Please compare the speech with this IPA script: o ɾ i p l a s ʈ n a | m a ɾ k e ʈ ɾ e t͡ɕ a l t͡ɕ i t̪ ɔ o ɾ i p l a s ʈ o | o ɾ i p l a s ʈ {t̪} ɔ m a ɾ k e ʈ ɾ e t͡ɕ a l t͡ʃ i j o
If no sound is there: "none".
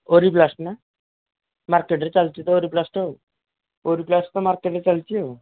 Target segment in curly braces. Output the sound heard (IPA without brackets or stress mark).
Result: t̪